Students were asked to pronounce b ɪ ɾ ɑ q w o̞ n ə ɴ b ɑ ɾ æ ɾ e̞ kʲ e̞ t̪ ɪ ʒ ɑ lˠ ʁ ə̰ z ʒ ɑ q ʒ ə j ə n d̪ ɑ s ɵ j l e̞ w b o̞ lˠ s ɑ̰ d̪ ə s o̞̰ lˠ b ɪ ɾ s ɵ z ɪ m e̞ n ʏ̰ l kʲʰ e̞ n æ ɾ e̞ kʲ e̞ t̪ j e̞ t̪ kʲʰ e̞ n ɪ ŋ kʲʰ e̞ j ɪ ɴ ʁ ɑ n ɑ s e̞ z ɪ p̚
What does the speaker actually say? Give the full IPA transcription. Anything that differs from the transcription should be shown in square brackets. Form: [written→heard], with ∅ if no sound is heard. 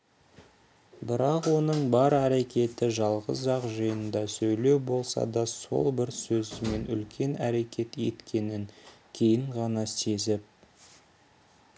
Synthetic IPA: b ɪ ɾ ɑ q w o̞ n ə ɴ b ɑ ɾ æ ɾ e̞ kʲ e̞ t̪ ɪ ʒ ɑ lˠ ʁ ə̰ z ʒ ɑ q ʒ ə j ə n d̪ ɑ s ɵ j l e̞ w b o̞ lˠ s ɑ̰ d̪ [ə→ɑ] s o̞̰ lˠ b ɪ ɾ s ɵ z ɪ m e̞ n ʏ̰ l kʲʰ e̞ n æ ɾ e̞ kʲ e̞ t̪ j e̞ t̪ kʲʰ e̞ n ɪ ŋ kʲʰ e̞ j ɪ ɴ ʁ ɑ n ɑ s e̞ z ɪ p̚